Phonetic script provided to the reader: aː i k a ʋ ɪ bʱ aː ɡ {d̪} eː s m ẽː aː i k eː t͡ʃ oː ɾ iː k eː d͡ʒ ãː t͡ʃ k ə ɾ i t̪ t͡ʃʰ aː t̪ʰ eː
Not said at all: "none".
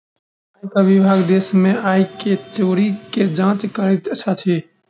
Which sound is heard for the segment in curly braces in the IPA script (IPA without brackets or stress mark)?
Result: d̪